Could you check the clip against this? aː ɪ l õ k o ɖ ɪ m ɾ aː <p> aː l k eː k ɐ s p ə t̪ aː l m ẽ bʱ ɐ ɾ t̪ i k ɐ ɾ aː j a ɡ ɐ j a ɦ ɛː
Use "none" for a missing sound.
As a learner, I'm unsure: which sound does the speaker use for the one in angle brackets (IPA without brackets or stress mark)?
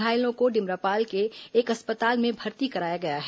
p